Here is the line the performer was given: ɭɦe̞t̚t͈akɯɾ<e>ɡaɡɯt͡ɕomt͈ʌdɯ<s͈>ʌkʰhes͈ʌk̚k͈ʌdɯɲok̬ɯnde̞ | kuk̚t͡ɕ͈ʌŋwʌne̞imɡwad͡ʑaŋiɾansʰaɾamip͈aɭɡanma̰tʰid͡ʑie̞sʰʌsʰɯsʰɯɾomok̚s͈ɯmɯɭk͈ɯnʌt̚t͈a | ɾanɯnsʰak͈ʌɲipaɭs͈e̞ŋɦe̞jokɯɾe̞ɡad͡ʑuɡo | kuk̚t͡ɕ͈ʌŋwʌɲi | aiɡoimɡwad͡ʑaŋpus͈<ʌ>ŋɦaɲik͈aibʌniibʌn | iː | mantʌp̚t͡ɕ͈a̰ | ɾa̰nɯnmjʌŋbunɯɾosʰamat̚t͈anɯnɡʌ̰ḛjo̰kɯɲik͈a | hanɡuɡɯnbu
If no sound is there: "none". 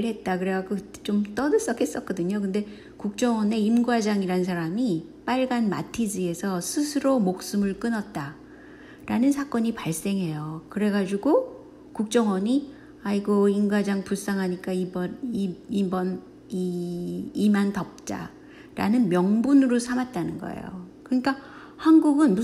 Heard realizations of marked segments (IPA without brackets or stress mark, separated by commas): e, s͈, a